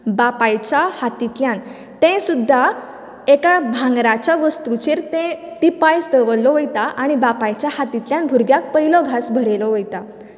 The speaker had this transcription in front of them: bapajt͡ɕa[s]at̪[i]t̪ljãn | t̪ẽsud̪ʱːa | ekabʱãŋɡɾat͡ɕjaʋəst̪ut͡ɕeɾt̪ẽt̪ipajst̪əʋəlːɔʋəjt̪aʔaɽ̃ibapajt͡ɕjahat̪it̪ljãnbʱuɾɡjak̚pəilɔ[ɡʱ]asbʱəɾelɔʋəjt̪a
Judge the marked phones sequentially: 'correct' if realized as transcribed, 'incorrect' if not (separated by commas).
incorrect, correct, correct